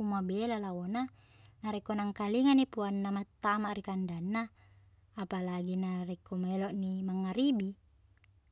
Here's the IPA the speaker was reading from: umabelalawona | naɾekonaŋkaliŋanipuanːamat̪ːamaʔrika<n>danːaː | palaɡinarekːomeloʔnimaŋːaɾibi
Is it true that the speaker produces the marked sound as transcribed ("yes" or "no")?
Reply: yes